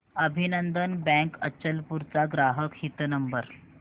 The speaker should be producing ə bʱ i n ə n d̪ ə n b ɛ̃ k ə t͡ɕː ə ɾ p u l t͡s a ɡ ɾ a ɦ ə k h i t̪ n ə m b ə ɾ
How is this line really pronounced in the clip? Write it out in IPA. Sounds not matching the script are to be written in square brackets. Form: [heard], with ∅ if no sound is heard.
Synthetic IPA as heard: ə bʱ i n ə n d̪ ə n b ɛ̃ k ə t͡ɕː ə [l] p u [ɾ] t͡s a ɡ ɾ a ɦ ə k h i t̪ n ə m b ə ɾ